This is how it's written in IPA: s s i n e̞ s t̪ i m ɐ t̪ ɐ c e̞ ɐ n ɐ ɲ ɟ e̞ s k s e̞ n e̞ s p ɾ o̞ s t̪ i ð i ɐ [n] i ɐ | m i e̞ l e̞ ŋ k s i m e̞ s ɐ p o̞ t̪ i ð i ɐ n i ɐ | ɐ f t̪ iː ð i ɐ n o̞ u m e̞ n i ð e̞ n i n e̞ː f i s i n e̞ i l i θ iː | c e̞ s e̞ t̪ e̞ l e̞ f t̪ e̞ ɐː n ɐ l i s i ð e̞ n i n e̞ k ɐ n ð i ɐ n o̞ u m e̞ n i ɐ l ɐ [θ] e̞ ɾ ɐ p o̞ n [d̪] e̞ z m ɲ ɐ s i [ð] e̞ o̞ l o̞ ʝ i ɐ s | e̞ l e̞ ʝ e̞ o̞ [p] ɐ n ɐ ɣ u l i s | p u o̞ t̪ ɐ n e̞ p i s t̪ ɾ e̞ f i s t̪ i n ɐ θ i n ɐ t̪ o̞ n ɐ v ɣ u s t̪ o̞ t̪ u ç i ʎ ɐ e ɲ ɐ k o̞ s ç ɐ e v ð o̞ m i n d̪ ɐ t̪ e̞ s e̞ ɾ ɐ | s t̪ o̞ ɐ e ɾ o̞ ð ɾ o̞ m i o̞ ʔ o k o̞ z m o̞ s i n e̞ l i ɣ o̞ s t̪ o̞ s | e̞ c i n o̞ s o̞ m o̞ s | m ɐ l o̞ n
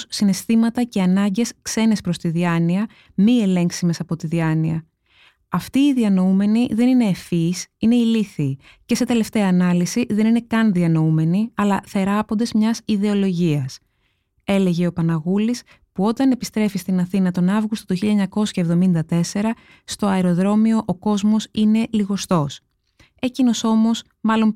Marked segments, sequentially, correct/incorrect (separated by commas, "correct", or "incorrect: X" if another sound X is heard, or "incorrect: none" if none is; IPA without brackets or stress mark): correct, correct, correct, correct, correct